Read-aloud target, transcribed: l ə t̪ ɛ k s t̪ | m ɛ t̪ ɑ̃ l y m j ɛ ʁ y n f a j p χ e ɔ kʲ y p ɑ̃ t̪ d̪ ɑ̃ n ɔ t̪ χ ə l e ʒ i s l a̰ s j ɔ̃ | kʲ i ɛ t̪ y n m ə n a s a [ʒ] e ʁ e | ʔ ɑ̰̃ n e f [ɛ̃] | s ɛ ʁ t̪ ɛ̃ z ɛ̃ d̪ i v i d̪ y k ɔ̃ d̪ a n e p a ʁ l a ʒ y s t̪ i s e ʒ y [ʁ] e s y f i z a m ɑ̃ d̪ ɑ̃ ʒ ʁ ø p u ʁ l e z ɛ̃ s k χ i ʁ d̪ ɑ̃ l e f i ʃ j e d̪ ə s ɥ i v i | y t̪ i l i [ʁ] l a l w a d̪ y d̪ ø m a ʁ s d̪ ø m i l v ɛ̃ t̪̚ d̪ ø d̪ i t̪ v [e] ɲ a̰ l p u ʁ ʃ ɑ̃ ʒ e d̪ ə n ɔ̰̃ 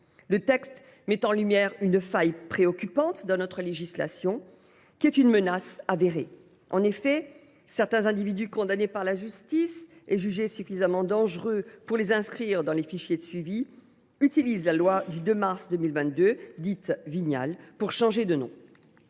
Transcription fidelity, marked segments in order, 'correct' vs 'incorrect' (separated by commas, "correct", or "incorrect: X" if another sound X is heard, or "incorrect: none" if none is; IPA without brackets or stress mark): incorrect: v, incorrect: ɛ, incorrect: ʒ, incorrect: z, incorrect: i